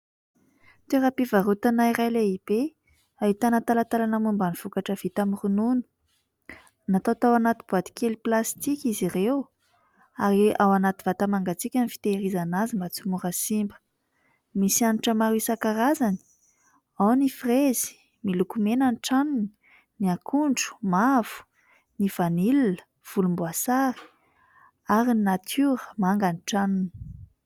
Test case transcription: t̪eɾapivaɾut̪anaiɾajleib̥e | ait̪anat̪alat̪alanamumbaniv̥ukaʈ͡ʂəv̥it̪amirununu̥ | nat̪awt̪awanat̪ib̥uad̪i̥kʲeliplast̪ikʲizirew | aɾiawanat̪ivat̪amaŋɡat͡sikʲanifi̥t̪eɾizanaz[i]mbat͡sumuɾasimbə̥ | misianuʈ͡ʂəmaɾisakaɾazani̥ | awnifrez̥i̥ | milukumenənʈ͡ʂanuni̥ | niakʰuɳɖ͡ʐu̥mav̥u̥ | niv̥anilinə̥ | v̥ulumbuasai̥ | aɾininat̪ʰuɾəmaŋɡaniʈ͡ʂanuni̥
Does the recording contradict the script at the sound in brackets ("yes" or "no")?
no